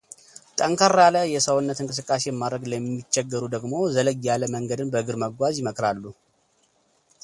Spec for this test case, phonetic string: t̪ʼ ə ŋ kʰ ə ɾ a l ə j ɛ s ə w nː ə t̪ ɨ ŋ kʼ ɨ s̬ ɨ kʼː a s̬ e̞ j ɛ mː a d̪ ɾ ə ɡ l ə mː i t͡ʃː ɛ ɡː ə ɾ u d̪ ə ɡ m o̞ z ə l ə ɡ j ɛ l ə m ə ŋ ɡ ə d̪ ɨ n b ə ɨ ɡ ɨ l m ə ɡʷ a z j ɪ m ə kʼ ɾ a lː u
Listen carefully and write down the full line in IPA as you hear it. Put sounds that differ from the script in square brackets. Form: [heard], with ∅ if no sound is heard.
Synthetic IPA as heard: t̪ʼ ə ŋ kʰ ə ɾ a l ə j ɛ s ə w nː ə t̪ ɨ ŋ kʼ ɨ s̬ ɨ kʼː a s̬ e̞ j ɛ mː a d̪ ɾ ə ɡ l ə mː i t͡ʃː ɛ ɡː ə ɾ u d̪ ə ɡ m o̞ z ə l ə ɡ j [a] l ə m ə ŋ ɡ ə d̪ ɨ n b ə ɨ ɡ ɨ [ɾ] m ə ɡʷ a z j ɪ m ə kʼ ɾ a lː u